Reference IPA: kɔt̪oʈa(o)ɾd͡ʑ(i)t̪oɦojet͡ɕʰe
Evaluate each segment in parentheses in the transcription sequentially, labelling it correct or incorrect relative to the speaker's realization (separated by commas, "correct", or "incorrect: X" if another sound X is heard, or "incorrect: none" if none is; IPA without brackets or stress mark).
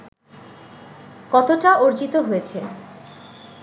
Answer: correct, correct